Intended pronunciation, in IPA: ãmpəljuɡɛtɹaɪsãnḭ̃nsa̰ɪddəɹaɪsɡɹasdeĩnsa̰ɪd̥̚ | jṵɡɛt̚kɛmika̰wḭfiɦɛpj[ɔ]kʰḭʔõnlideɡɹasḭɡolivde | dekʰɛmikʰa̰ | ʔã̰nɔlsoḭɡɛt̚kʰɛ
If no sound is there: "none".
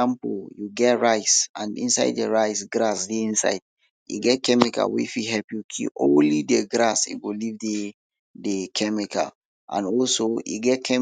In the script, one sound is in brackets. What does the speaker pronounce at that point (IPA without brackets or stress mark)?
u